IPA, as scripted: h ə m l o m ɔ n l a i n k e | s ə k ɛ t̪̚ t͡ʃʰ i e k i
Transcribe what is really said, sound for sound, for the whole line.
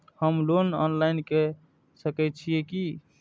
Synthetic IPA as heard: h ə m l o n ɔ n l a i n k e | s ə k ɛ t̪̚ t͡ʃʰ i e k i